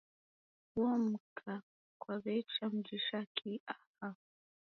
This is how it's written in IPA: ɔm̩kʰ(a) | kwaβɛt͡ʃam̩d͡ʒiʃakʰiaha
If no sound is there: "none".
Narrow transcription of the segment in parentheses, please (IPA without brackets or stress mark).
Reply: a